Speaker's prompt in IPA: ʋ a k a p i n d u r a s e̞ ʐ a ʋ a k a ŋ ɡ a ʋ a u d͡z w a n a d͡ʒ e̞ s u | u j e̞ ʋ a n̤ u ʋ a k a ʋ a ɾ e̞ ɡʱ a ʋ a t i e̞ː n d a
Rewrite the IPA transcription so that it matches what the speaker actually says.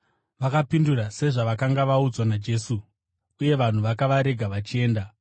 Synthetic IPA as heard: ʋ a k a p i n d u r a s e̞ ʐ a ʋ a k a ŋ ɡ a ʋ a u d͡z w a n a d͡ʒ e̞ s u | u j e̞ ʋ a n̤ u ʋ a k a ʋ a ɾ e̞ ɡʱ a ʋ a t͡ʃ i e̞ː n d a

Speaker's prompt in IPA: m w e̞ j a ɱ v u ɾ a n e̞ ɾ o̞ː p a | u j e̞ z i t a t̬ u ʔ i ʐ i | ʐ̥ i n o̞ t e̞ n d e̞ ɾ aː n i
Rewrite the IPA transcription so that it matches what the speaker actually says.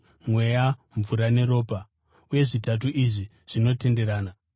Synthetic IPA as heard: m w e̞ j a ɱ v u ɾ a n e̞ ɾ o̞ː p a | u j e̞ ʐ i t a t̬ u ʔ i ʐ i | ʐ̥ i n o̞ t e̞ n d e̞ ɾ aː n a

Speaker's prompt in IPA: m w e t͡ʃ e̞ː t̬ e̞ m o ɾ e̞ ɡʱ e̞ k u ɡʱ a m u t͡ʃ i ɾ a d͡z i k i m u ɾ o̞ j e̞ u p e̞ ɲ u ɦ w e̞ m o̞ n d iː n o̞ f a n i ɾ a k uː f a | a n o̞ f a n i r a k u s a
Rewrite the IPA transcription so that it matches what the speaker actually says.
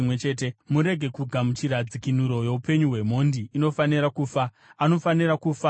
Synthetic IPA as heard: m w e t͡ʃ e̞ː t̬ e̞ m u ɾ e̞ ɡʱ e̞ k u ɡʱ a m u t͡ʃ i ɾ a d͡z i k i n u ɾ o̞ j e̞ u p e̞ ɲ u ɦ w e̞ m o̞ n d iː n o̞ f a n i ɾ a k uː f a | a n o̞ f a n i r a k u f a

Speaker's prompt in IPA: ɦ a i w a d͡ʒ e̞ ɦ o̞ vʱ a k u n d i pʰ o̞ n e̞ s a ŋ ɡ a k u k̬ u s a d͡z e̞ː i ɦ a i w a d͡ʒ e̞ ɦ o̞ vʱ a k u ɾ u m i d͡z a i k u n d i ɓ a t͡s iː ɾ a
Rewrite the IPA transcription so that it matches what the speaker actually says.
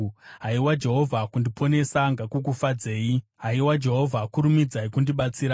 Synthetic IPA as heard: ɦ a i w a d͡ʒ e̞ ɦ o̞ vʱ a k u n d i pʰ o̞ n e̞ s a ŋ ɡ a k u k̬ u f a d͡z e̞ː i ɦ a i w a d͡ʒ e̞ ɦ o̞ vʱ a k u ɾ u m i d͡z a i k u n d i ɓ a t͡s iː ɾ a

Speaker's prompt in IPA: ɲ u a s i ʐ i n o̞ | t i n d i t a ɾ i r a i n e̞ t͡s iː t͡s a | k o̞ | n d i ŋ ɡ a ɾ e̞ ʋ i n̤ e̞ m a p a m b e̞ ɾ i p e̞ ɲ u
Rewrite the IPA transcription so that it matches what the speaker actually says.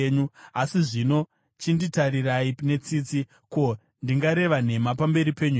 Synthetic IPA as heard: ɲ u a s i ʐ i n o̞ | t͡ʃ i n d i t a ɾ i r a i n e̞ t͡s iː t͡s i | k o̞ | n d i ŋ ɡ a ɾ e̞ ʋ a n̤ e̞ m a p a m b e̞ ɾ i p e̞ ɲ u

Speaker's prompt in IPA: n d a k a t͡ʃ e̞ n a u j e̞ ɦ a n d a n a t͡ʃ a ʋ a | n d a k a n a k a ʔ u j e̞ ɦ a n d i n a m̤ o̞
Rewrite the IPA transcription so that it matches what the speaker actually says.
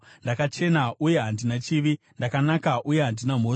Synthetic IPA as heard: n d a k a t͡ʃ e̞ n a u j e̞ ɦ a n d i n a t͡ʃ i ʋ i | n d a k a n a k a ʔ u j e̞ ɦ a n d i n a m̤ o̞

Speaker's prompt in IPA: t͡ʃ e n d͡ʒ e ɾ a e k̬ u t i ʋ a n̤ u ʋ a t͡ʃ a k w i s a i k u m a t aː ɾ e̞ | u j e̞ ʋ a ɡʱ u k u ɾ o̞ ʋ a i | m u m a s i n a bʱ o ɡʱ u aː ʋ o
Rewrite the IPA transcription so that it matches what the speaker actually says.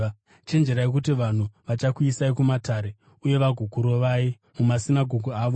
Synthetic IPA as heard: t͡ʃ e n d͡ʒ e ɾ a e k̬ u t i ʋ a n̤ u ʋ a t͡ʃ a k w i s a i k u m a t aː ɾ e̞ | u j e̞ ʋ a ɡʱ u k u ɾ o̞ ʋ a i | m u m a s i n a ɡʱ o ɡʱ u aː ʋ o

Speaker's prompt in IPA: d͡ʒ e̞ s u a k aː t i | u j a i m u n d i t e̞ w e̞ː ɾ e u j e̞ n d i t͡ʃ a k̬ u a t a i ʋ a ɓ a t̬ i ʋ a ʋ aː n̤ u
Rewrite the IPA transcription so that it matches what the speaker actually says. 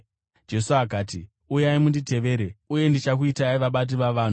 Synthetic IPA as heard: d͡ʒ e̞ s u a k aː t i | u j a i m u n d i t e̞ ʋ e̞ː ɾ e u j e̞ n d i t͡ʃ a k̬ u i t a i ʋ a ɓ a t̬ i ʋ a ʋ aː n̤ u

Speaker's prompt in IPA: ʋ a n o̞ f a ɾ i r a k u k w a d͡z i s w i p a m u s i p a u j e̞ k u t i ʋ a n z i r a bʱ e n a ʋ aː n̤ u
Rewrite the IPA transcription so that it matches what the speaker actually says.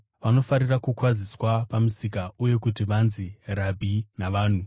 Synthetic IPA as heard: ʋ a n o̞ f a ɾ i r a k u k w a d͡z i s w a p a m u s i k a u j e̞ k u t i ʋ a n z i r a bʱ i n a ʋ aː n̤ u

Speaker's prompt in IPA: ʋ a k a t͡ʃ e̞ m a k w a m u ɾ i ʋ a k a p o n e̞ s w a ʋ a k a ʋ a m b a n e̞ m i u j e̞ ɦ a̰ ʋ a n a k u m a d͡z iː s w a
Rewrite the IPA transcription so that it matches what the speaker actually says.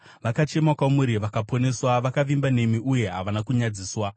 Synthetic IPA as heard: ʋ a k a t͡ʃ e̞ m a k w a m u ɾ i ʋ a k a p o n e̞ s w a ʋ a k a ʋ i m b a n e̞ m i u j e̞ ɦ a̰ ʋ a n a k u ɲ a d͡z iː s w a

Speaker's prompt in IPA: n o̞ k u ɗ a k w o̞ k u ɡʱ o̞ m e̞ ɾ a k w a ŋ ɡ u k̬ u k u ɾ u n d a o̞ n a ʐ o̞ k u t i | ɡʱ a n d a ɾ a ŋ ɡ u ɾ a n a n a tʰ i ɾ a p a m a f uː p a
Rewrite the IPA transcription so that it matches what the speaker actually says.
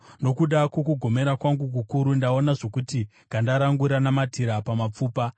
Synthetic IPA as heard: n o̞ k u ɗ a k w o̞ k u ɡʱ o̞ m e̞ ɾ a k w a ŋ ɡ u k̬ u k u ɾ u n d a o̞ n a ʐ o̞ k u t i | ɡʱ a n d a ɾ a ŋ ɡ u ɾ a n a m a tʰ i ɾ a p a m a p͡f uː p a

